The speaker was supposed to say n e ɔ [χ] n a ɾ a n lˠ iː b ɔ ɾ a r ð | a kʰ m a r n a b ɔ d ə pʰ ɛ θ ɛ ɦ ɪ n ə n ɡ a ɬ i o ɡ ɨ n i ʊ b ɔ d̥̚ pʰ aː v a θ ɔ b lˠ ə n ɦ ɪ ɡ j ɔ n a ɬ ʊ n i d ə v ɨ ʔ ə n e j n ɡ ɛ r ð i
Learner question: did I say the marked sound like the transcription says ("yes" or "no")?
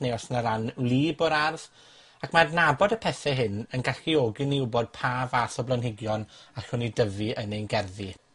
no